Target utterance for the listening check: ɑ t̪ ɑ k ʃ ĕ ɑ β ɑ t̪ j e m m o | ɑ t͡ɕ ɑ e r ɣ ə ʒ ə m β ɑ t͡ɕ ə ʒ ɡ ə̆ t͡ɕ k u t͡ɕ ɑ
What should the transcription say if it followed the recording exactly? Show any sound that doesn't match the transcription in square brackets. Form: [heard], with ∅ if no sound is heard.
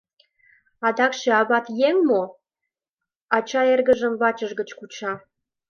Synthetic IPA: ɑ [d̪] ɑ k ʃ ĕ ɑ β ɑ t̪ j e [ŋ] m o | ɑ t͡ɕ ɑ e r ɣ ə ʒ ə m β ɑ t͡ɕ ə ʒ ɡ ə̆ t͡ɕ k u t͡ɕ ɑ